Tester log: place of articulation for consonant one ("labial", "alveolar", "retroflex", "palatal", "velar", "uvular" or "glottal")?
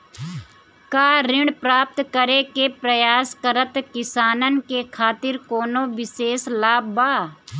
velar